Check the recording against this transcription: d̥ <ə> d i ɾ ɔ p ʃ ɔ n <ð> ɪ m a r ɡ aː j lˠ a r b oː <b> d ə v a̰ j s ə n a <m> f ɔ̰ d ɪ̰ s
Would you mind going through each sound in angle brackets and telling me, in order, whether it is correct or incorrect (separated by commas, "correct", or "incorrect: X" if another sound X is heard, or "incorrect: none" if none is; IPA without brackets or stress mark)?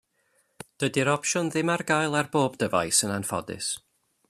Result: correct, correct, correct, incorrect: n